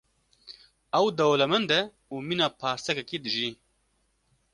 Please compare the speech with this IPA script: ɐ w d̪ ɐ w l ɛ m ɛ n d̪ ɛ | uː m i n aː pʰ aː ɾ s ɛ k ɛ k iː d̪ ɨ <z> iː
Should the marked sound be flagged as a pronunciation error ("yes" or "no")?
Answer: yes